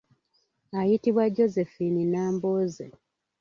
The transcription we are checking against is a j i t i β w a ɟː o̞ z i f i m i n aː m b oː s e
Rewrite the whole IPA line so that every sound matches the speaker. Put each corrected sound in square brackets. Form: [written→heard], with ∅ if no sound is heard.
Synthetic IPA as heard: a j i t i β w a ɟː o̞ z [i→e] f i [m→n] i n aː m b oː [s→z] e